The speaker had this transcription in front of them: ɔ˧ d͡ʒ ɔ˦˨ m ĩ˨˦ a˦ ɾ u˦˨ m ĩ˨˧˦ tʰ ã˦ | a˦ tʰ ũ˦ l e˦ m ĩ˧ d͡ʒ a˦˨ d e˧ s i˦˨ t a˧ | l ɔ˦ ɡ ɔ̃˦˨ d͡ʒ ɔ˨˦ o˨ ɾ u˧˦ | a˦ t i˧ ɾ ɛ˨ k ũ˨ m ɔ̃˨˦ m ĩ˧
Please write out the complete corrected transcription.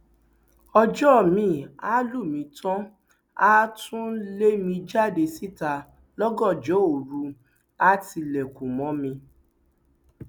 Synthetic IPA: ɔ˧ d͡ʒ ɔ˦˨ m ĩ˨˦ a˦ l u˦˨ m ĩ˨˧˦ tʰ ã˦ | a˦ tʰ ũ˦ l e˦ m ĩ˧ d͡ʒ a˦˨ d e˧ s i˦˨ t a˧ | l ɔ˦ ɡ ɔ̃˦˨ d͡ʒ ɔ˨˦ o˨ ɾ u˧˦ | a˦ t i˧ l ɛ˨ k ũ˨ m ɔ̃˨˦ m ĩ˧